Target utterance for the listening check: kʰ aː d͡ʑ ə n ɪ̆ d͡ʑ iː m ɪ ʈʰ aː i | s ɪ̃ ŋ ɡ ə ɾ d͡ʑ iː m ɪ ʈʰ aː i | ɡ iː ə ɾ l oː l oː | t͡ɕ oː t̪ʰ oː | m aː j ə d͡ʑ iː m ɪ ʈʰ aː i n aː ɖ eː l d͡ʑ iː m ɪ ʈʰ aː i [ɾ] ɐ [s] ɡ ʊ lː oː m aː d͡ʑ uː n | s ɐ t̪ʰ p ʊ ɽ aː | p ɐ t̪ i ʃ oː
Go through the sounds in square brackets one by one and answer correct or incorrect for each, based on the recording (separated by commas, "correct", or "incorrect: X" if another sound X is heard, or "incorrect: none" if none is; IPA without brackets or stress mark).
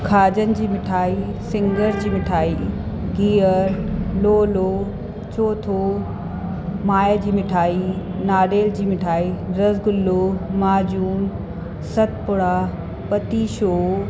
correct, incorrect: z